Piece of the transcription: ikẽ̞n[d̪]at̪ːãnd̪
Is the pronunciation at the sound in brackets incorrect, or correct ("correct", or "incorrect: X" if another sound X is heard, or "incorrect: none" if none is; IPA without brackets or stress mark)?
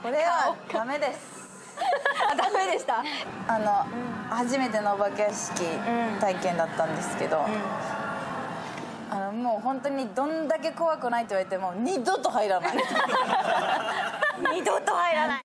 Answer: correct